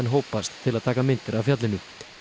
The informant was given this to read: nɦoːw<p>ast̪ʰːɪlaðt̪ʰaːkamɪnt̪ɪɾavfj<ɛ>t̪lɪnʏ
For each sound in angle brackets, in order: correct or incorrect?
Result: correct, incorrect: a

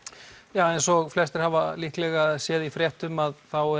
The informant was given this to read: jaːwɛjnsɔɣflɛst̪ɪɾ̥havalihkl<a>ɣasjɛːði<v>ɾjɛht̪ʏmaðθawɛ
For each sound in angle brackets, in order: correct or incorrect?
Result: incorrect: ɛ, incorrect: f

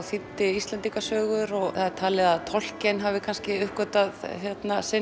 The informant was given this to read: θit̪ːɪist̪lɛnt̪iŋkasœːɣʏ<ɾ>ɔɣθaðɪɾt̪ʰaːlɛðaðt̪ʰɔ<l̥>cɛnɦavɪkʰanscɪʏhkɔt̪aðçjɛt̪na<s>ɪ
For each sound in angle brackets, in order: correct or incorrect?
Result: correct, correct, correct

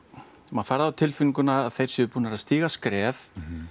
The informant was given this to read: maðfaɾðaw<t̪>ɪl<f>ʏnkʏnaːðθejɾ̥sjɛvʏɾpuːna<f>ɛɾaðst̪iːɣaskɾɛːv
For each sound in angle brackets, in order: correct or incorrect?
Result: incorrect: t̪ʰ, correct, incorrect: none

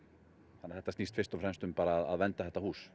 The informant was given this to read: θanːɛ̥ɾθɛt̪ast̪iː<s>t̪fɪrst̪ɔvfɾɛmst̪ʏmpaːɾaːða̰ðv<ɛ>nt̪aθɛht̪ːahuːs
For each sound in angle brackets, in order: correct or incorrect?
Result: correct, correct

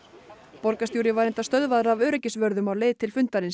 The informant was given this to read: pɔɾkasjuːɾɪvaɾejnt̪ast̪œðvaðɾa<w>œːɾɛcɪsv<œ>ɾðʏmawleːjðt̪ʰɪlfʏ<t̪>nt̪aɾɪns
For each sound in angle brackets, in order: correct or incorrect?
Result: incorrect: v, correct, incorrect: none

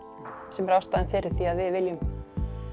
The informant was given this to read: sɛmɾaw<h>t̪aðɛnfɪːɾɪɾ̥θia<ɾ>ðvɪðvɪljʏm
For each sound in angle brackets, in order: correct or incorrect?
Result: incorrect: s, incorrect: none

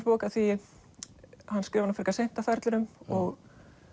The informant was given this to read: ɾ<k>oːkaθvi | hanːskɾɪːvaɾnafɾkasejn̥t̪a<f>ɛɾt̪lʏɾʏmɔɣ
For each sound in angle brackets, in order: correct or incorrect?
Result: incorrect: p, correct

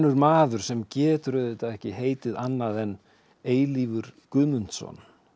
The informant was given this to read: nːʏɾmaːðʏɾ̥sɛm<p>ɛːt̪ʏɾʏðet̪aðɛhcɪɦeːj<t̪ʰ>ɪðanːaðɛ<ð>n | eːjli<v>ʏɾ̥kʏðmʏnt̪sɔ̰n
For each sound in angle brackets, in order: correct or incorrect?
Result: incorrect: c, incorrect: t̪, incorrect: none, correct

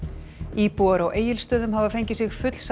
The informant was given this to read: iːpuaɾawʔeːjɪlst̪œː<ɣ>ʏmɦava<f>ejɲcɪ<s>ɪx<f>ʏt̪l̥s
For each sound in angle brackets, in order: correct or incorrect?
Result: incorrect: ð, correct, correct, correct

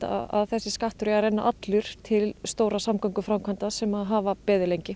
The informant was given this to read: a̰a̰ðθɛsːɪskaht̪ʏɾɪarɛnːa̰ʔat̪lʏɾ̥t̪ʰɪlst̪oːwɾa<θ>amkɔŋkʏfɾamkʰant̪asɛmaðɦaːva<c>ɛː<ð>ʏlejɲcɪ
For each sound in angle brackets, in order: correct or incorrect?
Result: incorrect: s, incorrect: p, correct

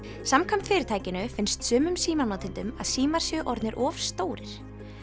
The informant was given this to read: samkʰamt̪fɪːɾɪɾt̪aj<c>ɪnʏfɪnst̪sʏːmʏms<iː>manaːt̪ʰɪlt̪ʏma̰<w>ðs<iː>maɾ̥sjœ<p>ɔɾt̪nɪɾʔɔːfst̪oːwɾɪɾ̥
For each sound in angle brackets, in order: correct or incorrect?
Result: correct, correct, incorrect: none, correct, incorrect: ʔ

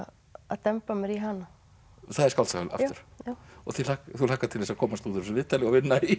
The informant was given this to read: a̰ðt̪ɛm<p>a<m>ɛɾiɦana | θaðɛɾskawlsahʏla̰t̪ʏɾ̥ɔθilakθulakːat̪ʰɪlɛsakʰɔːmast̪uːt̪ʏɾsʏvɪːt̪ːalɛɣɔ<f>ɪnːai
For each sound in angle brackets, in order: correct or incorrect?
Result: correct, correct, incorrect: v

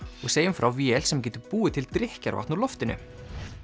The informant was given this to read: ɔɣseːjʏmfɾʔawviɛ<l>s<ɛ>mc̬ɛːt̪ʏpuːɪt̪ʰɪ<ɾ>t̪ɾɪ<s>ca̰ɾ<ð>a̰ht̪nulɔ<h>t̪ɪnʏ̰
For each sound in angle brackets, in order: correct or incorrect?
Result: correct, correct, incorrect: l, incorrect: h, incorrect: v, incorrect: f

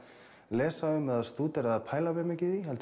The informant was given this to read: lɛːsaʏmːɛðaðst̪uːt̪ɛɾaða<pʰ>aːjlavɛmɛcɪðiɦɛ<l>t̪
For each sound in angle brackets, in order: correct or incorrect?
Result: correct, correct

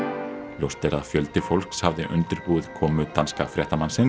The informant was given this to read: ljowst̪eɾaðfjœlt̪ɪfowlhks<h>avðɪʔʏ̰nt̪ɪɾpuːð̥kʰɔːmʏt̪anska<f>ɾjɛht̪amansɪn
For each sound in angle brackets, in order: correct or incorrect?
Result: correct, correct

